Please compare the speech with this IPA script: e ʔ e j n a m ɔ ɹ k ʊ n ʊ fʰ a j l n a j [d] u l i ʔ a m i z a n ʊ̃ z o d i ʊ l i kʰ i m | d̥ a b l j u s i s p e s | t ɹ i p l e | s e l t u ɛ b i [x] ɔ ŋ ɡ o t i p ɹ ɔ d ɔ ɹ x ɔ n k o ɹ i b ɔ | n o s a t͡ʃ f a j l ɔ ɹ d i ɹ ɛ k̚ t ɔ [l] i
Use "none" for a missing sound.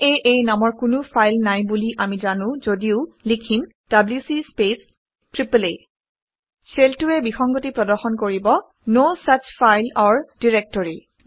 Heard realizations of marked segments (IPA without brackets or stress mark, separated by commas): b, x, ɹ